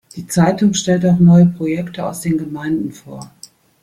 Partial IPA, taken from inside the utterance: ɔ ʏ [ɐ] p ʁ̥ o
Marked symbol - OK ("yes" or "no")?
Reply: no